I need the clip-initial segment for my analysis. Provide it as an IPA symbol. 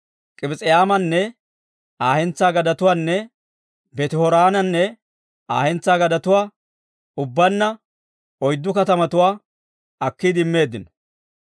kʼ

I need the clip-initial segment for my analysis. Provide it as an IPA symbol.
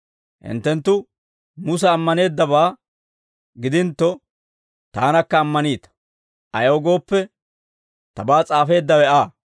h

